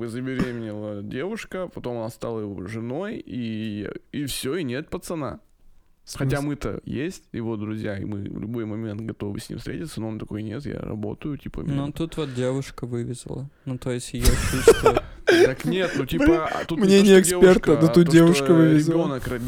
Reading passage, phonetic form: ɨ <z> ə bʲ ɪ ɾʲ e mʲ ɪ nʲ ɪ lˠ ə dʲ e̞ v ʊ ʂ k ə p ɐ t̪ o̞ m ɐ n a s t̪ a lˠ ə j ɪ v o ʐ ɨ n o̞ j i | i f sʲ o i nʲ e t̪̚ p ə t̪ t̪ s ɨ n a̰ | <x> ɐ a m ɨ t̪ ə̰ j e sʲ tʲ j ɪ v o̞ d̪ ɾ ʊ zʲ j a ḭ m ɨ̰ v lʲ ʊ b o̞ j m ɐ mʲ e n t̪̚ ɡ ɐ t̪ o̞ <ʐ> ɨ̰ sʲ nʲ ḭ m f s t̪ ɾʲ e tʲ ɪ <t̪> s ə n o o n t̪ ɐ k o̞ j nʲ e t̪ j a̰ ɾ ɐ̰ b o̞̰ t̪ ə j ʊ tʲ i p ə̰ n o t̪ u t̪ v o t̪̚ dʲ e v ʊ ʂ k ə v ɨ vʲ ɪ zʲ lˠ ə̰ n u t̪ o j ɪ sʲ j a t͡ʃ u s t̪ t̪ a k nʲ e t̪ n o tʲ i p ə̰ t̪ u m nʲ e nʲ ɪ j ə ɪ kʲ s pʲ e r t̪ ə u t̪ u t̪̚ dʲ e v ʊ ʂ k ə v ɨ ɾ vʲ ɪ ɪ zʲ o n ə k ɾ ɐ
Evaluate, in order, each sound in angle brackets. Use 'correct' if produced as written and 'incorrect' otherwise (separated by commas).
correct, correct, incorrect, correct